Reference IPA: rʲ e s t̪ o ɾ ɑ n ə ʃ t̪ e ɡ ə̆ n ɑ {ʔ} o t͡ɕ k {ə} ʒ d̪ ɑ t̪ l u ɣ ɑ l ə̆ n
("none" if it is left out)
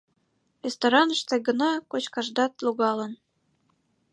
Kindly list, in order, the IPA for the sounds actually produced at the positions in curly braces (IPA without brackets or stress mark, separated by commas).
k, ɑ